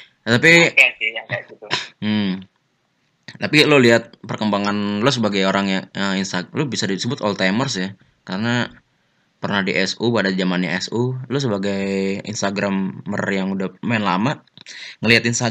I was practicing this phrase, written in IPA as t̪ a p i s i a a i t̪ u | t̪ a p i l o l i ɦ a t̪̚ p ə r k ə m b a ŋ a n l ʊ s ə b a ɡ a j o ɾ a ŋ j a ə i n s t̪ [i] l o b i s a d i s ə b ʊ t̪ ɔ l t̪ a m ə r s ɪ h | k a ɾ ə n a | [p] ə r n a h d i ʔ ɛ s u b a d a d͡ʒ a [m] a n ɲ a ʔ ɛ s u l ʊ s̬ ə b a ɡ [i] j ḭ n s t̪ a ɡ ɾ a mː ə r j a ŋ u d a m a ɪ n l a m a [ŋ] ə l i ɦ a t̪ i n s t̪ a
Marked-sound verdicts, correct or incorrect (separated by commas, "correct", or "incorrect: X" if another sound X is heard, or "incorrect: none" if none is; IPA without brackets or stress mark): incorrect: a, correct, correct, incorrect: a, correct